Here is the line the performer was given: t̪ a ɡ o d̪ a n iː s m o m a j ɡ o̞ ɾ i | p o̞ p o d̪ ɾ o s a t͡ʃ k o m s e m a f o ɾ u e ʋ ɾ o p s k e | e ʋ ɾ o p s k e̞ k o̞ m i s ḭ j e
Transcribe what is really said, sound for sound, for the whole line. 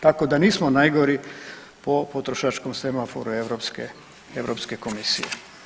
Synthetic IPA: t̪ a k o d̪ a n iː s m o n a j ɡ o̞ ɾ i | p o̞ p o t̪ ɾ o ʃ a t͡ʃ k o m s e m a f o ɾ u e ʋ ɾ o p s k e | e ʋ ɾ o p s k e̞ k o̞ m i s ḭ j e